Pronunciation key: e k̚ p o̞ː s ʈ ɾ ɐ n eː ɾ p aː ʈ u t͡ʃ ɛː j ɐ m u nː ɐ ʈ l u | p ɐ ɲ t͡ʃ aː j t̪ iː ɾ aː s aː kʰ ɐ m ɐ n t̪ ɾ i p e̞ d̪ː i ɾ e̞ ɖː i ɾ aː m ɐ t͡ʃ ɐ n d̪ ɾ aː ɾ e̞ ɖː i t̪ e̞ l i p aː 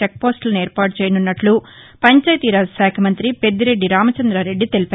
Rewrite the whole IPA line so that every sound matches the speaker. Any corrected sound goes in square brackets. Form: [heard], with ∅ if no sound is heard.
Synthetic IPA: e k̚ p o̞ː s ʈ [l] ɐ n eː ɾ p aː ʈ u t͡ʃ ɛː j ɐ [n] u nː ɐ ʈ l u | p ɐ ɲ t͡ʃ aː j t̪ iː ɾ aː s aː kʰ ɐ m ɐ n t̪ ɾ i p e̞ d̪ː i ɾ e̞ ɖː i ɾ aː m ɐ t͡ʃ ɐ n d̪ ɾ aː ɾ e̞ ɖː i t̪ e̞ l i p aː